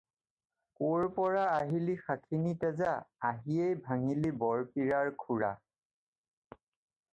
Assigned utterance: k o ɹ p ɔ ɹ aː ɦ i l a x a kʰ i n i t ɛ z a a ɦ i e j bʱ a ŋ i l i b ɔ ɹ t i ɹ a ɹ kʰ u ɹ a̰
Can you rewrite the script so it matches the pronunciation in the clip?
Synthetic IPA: k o ɹ p ɔ ɹ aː ɦ i l i x a kʰ i n i t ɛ z a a ɦ i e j bʱ a ŋ i l i b ɔ ɹ p i ɹ a ɹ kʰ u ɹ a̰